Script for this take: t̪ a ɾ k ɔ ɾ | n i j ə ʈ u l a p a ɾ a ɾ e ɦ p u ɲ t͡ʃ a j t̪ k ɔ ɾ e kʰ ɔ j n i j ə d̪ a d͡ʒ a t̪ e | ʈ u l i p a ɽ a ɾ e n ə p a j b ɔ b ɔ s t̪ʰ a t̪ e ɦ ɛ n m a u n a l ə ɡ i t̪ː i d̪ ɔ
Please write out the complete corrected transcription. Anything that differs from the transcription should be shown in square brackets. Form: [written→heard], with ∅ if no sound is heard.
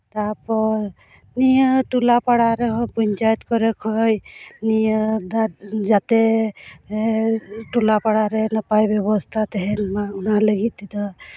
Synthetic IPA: t̪ a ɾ [k→p] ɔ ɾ | n i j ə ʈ u l a p a [ɾ→ɽ] a ɾ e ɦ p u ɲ t͡ʃ a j t̪ k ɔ ɾ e kʰ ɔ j n i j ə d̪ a d͡ʒ a t̪ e | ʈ u l [i→a] p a ɽ a ɾ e n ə p a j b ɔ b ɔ s t̪ʰ a t̪ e ɦ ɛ n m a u n a l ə ɡ i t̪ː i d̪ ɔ